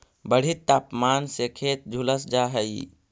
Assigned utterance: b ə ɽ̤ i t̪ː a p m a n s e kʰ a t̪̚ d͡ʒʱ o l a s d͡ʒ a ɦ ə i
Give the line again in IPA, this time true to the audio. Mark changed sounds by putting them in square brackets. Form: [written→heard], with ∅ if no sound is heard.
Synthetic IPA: b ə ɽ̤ i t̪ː a p m a n s e kʰ [a→e] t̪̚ d͡ʒʱ [o→u] l [a→ə] s d͡ʒ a ɦ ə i